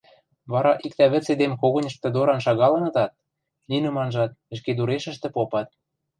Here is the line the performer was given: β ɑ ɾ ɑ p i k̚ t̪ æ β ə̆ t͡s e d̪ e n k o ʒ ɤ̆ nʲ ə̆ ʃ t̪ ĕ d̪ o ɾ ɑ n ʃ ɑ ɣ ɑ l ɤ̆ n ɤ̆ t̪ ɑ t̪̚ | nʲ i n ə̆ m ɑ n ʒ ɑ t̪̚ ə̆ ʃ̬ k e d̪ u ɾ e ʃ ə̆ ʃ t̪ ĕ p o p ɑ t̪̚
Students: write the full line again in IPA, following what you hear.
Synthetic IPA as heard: β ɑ ɾ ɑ ʔ i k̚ t̪ æ β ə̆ t͡s e d̪ e m k o ɣ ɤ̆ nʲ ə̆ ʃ t̪ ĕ d̪ o ɾ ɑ n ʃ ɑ ɣ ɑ l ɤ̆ n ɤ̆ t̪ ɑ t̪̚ | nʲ i n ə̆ m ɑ n ʒ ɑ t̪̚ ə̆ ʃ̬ k e d̪ u ɾ e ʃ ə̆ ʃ t̪ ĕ p o p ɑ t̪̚